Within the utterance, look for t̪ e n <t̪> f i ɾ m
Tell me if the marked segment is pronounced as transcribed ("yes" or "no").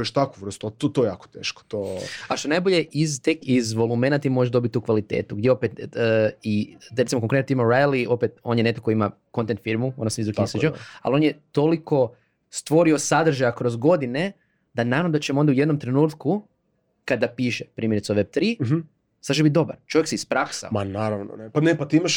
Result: yes